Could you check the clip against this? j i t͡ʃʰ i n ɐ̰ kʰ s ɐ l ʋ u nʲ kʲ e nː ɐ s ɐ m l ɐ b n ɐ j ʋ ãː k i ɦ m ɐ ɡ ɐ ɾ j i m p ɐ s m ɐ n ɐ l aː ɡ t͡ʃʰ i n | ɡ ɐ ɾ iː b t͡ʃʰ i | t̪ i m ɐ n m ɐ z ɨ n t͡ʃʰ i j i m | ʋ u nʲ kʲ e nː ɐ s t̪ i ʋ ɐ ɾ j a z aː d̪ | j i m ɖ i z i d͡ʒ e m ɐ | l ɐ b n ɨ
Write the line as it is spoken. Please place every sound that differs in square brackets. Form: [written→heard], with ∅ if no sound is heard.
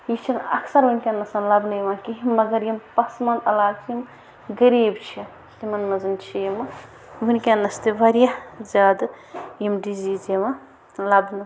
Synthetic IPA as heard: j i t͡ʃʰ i n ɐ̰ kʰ s ɐ [l→ɾ] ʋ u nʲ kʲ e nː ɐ s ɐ [m→n] l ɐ b n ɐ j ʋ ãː k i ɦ m ɐ ɡ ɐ ɾ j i m p ɐ s m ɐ n ɐ l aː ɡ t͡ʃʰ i [n→m] | ɡ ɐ ɾ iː b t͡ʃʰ i | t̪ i m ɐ n m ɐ z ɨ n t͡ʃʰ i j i m | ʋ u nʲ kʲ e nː ɐ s t̪ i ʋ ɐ ɾ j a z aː d̪ | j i m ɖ i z i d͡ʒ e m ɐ | l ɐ b n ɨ